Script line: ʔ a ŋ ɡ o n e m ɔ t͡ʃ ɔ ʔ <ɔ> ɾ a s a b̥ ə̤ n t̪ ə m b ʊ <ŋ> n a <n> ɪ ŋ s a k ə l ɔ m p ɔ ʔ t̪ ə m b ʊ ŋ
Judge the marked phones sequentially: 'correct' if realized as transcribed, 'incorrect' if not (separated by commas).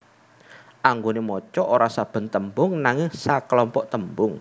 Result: incorrect, correct, incorrect